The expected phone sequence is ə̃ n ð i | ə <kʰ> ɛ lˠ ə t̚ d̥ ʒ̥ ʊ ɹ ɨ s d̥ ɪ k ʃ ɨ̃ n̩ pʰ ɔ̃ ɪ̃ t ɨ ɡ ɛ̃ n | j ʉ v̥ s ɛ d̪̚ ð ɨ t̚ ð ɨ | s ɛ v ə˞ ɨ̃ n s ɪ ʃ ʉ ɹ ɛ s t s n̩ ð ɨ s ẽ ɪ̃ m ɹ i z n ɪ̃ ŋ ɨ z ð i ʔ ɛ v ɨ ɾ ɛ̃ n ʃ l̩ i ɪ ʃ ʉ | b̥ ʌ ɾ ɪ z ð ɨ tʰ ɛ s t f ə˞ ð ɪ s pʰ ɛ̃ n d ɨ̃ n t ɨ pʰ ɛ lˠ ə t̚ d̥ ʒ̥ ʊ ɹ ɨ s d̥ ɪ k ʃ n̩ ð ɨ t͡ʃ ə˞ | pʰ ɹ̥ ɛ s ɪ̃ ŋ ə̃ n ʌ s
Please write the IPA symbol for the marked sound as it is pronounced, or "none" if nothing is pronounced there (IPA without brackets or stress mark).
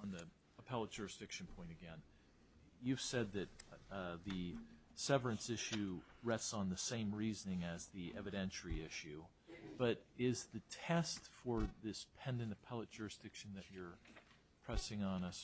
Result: pʰ